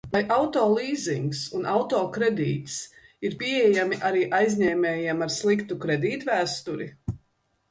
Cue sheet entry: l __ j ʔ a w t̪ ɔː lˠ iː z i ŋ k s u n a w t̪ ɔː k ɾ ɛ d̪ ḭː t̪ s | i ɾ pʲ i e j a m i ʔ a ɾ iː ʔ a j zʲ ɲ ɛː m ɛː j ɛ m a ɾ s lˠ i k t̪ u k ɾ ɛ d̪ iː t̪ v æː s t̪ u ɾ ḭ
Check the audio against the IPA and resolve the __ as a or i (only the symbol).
a